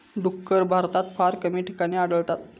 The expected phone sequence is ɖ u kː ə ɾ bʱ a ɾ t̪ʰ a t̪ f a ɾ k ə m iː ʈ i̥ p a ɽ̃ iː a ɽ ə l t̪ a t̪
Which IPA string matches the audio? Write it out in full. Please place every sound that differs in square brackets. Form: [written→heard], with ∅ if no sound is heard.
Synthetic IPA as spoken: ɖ u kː ə ɾ bʱ a ɾ [t̪ʰ→t̪] a t̪ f a ɾ k ə m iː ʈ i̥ [p→k] a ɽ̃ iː a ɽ ə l t̪ a t̪